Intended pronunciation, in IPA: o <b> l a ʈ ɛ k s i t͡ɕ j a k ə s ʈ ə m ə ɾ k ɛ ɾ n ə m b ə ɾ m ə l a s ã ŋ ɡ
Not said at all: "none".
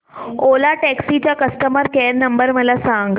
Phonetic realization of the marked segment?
none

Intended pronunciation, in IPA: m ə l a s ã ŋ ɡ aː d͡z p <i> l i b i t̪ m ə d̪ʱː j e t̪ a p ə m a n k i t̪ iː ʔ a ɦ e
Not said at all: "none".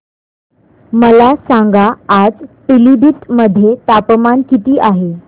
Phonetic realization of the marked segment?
i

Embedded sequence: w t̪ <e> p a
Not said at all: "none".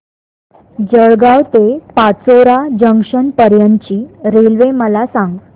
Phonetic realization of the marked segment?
e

